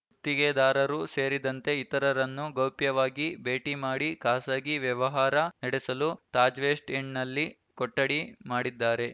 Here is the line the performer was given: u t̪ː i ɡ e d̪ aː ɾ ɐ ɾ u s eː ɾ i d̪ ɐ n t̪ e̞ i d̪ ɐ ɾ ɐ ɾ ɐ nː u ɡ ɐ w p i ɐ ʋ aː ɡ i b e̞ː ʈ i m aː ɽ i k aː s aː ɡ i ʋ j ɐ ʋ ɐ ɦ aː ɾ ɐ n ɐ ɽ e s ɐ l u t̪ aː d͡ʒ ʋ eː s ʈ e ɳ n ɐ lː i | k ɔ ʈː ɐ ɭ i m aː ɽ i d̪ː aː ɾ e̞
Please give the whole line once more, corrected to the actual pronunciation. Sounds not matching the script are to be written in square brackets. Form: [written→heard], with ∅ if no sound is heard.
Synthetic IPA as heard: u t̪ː i ɡ e d̪ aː ɾ ɐ ɾ u s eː ɾ i d̪ ɐ n t̪ e̞ i [d̪→t̪] ɐ ɾ ɐ ɾ ɐ nː u ɡ ɐ w p [i→j] ɐ ʋ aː ɡ i b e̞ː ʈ i m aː ɽ i k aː s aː ɡ i ʋ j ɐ ʋ ɐ ɦ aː ɾ ɐ n ɐ ɽ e s ɐ l u t̪ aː d͡ʒ ʋ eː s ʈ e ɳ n ɐ lː i | k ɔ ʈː ɐ [ɭ→ɽ] i m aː ɽ i d̪ː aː ɾ e̞